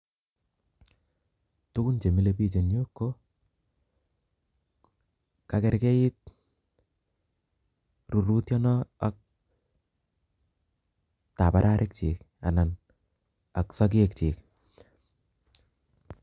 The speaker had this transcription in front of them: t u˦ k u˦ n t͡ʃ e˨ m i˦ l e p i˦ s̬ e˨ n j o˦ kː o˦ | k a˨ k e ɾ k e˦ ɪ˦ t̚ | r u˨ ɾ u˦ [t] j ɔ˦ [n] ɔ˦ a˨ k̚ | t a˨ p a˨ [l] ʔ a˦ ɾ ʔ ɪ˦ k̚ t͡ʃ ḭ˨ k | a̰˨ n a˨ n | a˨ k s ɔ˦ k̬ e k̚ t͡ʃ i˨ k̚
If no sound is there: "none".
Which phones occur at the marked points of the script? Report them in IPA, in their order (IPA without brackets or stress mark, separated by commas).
t, n, ɾ